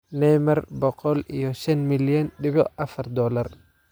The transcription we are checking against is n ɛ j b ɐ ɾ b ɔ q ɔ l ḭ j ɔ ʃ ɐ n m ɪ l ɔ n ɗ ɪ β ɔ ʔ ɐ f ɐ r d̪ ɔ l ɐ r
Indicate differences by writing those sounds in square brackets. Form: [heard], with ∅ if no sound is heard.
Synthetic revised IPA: n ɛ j [m] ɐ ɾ b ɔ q ɔ l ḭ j ɔ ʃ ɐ n m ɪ l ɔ n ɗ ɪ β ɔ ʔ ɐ f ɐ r d̪ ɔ l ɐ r